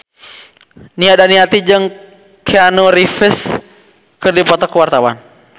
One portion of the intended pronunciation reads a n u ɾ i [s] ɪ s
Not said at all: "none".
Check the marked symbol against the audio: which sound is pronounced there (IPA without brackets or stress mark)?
f